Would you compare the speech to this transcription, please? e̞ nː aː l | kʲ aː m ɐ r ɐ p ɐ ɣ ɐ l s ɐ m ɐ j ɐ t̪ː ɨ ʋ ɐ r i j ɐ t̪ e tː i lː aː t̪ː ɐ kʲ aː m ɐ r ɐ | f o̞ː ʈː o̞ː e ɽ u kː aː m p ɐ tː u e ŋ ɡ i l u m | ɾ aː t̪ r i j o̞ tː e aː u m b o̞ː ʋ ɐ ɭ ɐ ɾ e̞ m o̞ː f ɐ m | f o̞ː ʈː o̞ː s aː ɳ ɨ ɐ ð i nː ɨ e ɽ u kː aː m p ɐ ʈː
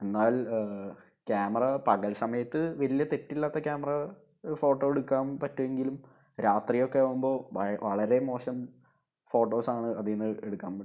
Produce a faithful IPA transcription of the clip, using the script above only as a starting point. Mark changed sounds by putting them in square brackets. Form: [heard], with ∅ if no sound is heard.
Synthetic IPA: e̞ nː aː l | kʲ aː m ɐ r ɐ p ɐ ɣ ɐ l s ɐ m ɐ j ɐ t̪ː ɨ ʋ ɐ [l] i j ɐ t̪ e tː i lː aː t̪ː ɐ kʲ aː m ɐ r ɐ | f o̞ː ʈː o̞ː e ɽ u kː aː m p ɐ tː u e ŋ ɡ i l u m | ɾ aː t̪ r i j o̞ [kː] e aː u m b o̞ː ʋ ɐ ɭ ɐ ɾ e̞ m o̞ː [ɕ] ɐ m | f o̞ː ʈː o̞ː s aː ɳ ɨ ɐ ð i nː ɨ e ɽ u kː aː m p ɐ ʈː